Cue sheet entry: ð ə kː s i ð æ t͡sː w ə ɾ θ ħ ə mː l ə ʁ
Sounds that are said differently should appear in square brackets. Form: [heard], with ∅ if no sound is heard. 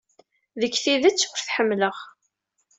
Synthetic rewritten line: ð ə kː [θ] i ð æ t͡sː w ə ɾ θ ħ ə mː l ə ʁ